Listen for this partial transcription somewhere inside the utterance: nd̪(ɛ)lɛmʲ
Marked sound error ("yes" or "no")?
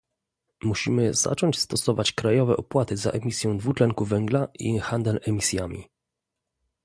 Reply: no